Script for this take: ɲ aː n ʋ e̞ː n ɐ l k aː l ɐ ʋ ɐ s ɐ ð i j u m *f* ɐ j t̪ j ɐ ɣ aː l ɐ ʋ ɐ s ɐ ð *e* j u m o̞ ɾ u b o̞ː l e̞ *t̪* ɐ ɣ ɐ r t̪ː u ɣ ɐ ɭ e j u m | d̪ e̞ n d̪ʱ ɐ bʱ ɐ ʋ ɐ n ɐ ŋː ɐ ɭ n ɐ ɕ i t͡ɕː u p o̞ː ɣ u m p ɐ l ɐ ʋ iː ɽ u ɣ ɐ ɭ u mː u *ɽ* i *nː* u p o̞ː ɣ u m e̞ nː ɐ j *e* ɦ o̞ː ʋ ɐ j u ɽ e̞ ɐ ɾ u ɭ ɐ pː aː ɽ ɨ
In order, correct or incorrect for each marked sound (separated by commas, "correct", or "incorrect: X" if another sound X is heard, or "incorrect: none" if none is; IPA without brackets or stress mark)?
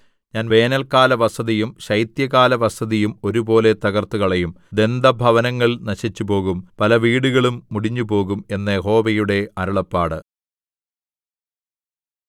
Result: incorrect: ɕ, incorrect: i, correct, correct, incorrect: ɲː, correct